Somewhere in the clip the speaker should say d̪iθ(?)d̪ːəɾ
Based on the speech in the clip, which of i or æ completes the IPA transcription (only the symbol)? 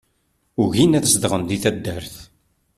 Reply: æ